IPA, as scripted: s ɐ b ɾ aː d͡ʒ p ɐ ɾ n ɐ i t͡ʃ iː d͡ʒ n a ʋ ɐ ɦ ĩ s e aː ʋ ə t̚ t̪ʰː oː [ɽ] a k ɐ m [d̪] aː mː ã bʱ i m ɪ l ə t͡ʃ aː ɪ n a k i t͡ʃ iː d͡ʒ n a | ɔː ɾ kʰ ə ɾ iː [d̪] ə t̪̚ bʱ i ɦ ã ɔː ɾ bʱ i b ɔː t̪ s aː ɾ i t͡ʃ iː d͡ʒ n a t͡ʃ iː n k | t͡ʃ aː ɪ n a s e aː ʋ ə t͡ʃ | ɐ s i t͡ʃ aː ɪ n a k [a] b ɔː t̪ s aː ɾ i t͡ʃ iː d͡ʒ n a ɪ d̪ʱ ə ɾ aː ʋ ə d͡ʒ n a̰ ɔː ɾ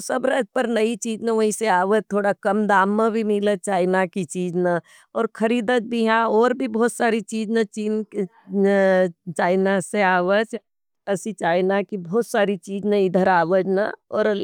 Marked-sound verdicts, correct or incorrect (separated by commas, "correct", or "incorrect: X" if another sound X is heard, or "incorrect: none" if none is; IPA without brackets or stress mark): correct, correct, correct, incorrect: i